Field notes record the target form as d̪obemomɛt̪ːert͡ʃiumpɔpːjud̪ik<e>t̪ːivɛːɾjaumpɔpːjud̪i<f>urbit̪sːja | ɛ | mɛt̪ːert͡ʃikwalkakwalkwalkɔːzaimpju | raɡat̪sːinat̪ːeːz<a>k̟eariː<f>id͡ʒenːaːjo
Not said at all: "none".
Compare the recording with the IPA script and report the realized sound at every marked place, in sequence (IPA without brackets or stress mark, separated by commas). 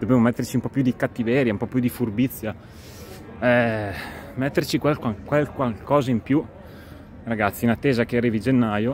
a, f, a, v